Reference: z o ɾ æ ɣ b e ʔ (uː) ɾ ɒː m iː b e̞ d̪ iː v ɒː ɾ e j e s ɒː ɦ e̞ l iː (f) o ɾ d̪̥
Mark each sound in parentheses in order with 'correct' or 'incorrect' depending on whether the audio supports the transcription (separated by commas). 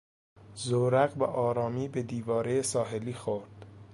incorrect, incorrect